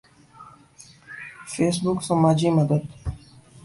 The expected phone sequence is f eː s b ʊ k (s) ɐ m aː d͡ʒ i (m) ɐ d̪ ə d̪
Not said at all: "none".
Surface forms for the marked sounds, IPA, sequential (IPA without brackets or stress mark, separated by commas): s, m